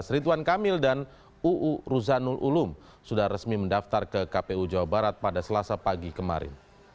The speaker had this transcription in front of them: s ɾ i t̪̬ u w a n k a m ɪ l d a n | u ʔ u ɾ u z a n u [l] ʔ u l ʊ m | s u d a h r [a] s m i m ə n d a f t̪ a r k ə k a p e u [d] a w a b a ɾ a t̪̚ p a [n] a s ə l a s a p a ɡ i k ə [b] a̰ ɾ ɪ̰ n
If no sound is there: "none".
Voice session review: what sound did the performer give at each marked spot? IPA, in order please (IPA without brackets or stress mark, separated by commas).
l, ə, d͡ʒ, d, m